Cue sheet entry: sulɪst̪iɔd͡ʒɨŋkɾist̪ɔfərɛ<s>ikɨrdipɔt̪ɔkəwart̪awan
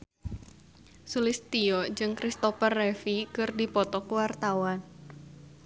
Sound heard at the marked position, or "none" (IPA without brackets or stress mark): f